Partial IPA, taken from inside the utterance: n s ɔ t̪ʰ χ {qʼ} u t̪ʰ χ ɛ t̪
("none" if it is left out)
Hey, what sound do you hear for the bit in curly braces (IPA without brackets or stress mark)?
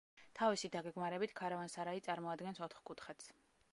kʼ